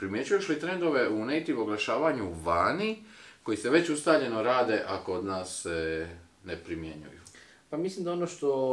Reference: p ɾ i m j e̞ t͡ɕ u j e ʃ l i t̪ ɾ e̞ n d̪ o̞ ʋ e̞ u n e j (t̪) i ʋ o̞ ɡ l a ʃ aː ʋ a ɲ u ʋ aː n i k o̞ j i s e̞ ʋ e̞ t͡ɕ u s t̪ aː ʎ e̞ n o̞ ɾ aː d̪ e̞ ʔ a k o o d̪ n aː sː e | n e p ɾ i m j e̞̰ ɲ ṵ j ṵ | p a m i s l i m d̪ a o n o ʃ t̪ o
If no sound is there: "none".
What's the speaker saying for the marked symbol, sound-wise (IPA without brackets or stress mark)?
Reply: t̪